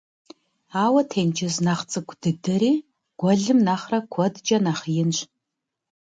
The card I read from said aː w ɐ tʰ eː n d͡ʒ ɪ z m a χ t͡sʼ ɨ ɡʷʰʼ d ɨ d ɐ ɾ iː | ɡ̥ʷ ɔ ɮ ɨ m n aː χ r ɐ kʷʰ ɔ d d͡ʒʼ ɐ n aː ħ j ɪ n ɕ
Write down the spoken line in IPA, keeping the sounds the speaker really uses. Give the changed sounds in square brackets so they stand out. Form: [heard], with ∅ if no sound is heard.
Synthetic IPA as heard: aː w ɐ tʰ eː n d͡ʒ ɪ z [n] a χ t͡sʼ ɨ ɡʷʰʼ d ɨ d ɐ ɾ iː | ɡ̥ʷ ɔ ɮ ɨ m n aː χ r ɐ kʷʰ ɔ d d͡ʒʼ ɐ n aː [χ] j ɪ n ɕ